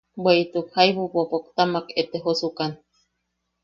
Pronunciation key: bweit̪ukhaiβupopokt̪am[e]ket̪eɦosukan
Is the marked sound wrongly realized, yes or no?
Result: yes